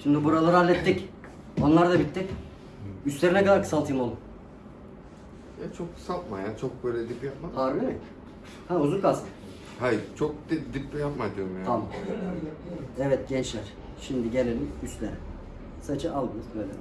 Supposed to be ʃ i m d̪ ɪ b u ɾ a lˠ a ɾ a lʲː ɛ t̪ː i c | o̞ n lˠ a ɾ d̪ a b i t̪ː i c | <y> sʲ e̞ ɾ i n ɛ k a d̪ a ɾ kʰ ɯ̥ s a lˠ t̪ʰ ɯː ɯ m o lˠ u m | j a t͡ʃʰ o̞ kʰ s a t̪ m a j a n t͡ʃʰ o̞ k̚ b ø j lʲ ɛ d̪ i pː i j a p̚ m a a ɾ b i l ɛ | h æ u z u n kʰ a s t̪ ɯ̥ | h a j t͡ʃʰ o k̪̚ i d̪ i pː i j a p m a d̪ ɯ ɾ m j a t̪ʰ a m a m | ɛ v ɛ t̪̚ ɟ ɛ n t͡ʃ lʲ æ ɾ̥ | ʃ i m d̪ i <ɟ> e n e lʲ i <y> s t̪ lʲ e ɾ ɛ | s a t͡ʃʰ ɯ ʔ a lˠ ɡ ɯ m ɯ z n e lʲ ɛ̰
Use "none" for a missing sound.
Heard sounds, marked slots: y, ɟ, y

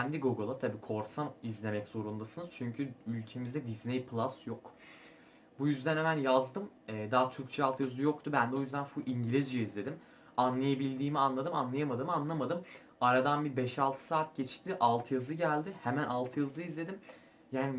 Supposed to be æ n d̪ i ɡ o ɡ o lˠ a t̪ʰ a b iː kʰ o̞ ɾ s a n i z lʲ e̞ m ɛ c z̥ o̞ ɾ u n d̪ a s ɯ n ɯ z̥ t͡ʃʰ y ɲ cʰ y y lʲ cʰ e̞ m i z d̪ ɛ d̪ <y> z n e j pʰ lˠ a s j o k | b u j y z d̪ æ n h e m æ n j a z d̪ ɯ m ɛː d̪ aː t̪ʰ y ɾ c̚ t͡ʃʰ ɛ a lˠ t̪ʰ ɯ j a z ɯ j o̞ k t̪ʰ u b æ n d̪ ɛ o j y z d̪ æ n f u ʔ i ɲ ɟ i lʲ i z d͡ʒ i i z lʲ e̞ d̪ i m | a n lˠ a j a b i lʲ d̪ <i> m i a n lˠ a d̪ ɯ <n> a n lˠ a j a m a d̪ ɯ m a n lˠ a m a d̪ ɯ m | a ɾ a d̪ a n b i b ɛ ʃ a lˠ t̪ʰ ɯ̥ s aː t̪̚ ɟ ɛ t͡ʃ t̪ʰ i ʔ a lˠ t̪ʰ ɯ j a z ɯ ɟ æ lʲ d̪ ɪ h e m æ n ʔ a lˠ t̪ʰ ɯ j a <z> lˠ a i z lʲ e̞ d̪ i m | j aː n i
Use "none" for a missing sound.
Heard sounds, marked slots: i, iː, m, z

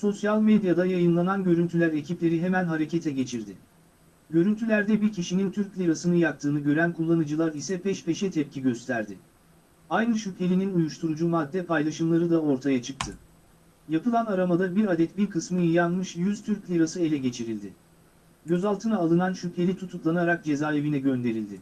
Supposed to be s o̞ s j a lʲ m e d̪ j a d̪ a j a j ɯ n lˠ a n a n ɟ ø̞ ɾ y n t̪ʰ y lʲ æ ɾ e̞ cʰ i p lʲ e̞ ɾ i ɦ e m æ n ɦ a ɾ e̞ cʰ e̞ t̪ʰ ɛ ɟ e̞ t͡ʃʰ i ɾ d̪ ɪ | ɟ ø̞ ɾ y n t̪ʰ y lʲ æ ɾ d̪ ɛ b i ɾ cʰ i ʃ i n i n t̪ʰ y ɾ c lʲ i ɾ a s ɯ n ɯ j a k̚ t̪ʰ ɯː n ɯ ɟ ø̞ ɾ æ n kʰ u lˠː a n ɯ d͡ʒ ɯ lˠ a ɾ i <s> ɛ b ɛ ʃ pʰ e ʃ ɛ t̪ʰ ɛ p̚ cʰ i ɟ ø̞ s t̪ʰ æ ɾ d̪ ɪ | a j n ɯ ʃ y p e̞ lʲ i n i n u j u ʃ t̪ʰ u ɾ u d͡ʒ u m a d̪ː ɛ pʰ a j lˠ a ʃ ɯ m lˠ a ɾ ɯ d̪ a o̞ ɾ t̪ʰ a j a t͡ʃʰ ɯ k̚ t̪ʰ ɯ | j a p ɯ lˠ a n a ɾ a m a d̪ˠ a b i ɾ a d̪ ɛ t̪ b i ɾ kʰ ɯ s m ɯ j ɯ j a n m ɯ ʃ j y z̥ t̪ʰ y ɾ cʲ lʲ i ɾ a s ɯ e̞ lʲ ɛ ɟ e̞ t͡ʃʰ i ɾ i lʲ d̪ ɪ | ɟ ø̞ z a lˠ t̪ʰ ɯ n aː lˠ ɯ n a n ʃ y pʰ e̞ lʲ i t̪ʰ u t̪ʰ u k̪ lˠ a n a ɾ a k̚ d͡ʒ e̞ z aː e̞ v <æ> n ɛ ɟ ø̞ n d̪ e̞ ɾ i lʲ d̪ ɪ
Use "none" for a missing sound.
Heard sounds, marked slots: s, i

